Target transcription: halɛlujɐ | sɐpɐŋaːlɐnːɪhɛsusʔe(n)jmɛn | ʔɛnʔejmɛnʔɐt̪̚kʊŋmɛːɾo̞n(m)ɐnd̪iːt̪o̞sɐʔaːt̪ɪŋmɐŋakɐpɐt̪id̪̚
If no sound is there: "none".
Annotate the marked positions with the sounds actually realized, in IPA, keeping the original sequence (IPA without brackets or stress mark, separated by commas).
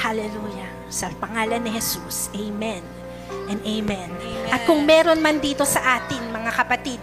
none, m